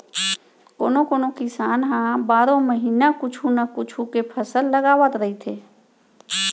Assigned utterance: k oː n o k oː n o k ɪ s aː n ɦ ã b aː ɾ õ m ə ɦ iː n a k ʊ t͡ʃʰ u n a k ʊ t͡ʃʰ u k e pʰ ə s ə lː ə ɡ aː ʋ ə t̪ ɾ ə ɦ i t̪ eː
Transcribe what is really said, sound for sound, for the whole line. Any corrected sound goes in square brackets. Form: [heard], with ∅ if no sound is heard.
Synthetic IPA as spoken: k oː n o k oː n o k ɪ s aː n ɦ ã b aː ɾ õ m ə ɦ iː n a k ʊ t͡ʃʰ u n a k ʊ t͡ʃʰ u k e pʰ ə s ə lː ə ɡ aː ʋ ə t̪ ɾ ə ɦ i [t̪ʰ] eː